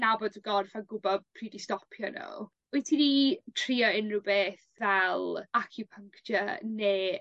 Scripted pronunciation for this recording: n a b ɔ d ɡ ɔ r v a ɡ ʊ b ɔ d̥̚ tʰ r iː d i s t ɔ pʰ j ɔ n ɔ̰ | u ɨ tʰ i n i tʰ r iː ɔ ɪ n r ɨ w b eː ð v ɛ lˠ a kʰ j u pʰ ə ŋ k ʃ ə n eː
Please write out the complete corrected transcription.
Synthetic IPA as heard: n a b ɔ d ɡ ɔ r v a ɡ ʊ b ɔ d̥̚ pʰ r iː d i s t ɔ pʰ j ɔ n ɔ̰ | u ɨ tʰ i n i tʰ r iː ɔ ɪ n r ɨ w b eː θ v ɛ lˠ a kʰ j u pʰ ə ŋ k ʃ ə n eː

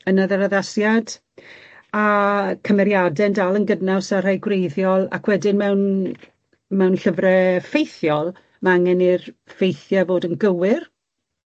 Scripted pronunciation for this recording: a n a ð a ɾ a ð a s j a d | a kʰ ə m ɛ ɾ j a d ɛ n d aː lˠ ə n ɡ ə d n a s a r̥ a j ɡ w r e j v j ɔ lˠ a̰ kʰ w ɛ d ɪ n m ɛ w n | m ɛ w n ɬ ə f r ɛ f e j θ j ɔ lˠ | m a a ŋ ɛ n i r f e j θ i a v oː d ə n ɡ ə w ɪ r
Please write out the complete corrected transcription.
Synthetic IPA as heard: ə n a ð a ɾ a ð a s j a d | a kʰ ə m ɛ ɾ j a d ɛ n d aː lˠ ə n ɡ ə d n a s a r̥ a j ɡ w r e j ð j ɔ lˠ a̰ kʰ w ɛ d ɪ n m ɛ w n | m ɛ w n ɬ ə v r ɛ f e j θ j ɔ lˠ | m a a ŋ ɛ n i r f e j θ j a v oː d ə n ɡ ə w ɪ r

